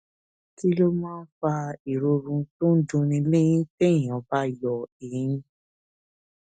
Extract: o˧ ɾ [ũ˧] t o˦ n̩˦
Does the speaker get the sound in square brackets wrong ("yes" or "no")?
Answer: no